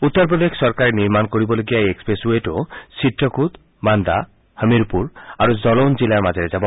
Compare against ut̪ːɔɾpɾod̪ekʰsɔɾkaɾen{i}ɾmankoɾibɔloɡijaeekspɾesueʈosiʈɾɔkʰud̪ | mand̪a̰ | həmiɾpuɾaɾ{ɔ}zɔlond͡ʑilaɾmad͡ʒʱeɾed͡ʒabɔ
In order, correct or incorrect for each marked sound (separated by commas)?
correct, incorrect